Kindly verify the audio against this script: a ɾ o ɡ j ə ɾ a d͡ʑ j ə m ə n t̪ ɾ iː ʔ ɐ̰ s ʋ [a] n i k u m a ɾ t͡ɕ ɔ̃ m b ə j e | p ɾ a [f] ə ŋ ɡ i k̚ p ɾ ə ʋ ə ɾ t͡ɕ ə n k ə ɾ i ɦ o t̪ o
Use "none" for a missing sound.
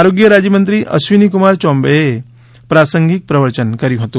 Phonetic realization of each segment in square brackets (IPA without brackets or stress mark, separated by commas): i, s